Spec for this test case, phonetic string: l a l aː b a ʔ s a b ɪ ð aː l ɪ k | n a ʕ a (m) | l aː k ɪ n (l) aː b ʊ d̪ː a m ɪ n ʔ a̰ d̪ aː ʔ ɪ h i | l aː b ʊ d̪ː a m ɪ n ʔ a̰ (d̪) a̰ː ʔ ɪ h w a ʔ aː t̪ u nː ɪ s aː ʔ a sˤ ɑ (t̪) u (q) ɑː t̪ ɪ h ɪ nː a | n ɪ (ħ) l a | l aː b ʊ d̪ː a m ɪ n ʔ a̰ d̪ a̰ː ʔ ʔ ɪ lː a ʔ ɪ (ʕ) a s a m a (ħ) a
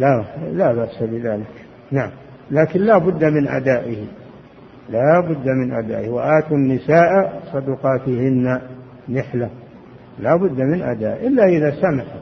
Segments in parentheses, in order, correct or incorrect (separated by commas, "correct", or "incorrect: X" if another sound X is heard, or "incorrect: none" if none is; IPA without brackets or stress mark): correct, correct, correct, incorrect: d̪, correct, correct, incorrect: ð, correct